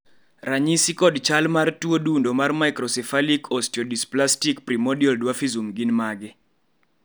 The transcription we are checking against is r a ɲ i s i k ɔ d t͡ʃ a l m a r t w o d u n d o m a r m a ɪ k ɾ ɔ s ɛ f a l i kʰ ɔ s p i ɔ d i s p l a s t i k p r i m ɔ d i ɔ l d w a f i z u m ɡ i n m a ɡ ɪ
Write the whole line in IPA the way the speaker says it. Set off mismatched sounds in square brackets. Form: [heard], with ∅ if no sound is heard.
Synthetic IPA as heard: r a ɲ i s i k ɔ d t͡ʃ a l m a r t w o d u n d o m a r m a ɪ k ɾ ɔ s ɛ f a l i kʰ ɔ s [t] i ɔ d i s p l a s t i k p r i m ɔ d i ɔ l d w a f i z u m ɡ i n m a ɡ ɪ